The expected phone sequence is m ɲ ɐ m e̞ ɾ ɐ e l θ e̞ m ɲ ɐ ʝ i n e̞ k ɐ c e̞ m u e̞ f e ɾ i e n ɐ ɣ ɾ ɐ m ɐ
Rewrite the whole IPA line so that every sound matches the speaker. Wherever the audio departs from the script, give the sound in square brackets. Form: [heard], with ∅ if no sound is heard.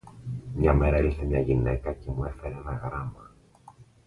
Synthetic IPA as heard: m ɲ ɐ m e̞ ɾ ɐ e l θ e̞ m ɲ ɐ ʝ i n e̞ k ɐ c e̞ m u e̞ f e ɾ [e] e n ɐ ɣ ɾ ɐ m ɐ